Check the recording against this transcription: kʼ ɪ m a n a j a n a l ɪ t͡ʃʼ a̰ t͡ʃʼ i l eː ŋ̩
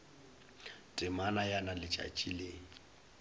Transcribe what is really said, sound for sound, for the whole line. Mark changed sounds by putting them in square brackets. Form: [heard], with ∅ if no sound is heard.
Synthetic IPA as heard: [tʼ] ɪ m a n a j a n a l ɪ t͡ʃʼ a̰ t͡ʃʼ i l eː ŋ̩